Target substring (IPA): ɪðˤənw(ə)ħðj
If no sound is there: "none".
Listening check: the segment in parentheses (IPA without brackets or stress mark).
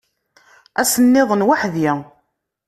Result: a